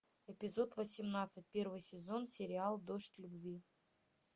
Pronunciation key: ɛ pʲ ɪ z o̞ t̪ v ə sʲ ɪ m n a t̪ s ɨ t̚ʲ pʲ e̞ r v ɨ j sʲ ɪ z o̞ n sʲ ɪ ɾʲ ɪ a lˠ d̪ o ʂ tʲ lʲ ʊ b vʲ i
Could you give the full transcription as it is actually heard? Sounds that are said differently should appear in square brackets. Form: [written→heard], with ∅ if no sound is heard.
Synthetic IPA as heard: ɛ pʲ ɪ z o̞ t̪ v ə sʲ ɪ m n a t̪ s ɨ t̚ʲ pʲ e̞ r v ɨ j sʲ ɪ z o̞ n sʲ ɪ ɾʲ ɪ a lˠ d̪ o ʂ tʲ lʲ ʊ b vʲ i